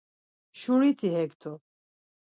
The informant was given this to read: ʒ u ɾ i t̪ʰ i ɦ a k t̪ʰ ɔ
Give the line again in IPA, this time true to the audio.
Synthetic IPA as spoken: ʃ u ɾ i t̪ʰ i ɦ ɛ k t̪ʰ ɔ